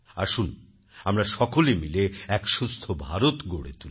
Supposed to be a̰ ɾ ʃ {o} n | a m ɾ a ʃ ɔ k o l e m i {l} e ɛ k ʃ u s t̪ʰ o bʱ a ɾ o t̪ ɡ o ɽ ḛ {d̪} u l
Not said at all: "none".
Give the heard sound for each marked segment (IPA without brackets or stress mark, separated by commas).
u, l, t̪